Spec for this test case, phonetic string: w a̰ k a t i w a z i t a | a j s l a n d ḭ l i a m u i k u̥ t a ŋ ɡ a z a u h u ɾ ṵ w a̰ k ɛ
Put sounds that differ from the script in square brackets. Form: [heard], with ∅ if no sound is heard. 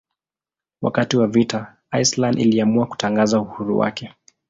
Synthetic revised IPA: w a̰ k a t i w a [v] i t a | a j s l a n d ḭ l i a m u [a] k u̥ t a ŋ ɡ a z a u h u ɾ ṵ w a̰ k ɛ